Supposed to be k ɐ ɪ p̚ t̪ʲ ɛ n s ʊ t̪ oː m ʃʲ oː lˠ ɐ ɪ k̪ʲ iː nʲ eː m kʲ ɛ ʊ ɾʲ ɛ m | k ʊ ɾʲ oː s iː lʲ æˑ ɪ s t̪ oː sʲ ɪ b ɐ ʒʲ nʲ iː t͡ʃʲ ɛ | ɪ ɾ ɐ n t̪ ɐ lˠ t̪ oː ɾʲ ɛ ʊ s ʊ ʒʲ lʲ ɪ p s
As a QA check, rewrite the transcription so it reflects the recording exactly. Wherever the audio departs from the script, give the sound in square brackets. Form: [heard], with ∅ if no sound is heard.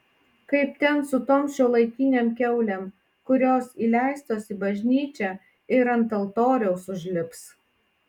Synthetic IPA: k ɐ ɪ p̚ t̪ʲ ɛ n s ʊ t̪ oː m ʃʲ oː lˠ ɐ ɪ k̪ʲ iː nʲ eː m kʲ ɛ ʊ [lʲ] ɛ m | k ʊ ɾʲ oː s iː lʲ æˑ ɪ s t̪ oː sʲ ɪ b ɐ ʒʲ nʲ iː t͡ʃʲ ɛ | ɪ ɾ ɐ n t̪ ɐ lˠ t̪ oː ɾʲ ɛ ʊ s ʊ ʒʲ lʲ ɪ p s